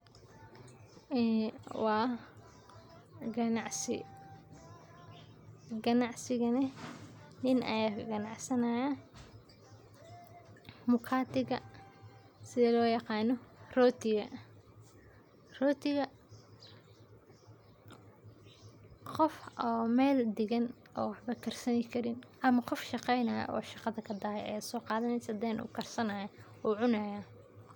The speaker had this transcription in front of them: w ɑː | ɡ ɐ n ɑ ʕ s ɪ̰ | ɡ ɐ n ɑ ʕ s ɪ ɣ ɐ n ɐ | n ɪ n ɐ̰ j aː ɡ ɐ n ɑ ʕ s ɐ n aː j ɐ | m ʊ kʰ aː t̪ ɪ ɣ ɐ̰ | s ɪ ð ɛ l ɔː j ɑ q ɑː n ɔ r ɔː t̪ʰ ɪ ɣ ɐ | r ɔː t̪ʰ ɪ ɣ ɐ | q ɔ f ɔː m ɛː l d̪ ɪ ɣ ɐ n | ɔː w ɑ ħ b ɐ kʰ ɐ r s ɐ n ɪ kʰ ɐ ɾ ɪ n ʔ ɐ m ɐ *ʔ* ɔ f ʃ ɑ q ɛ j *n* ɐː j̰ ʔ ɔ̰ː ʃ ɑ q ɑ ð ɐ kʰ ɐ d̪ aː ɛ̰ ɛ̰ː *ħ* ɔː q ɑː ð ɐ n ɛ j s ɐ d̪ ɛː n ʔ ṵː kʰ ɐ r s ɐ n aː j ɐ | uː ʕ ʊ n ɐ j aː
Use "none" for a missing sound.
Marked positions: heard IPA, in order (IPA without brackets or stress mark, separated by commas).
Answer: q, n, s